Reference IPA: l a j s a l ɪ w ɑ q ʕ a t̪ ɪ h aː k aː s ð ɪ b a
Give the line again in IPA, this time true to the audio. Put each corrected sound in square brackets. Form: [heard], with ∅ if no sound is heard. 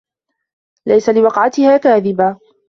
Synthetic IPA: l a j s a l ɪ w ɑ q ʕ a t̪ ɪ h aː k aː [∅] ð ɪ b a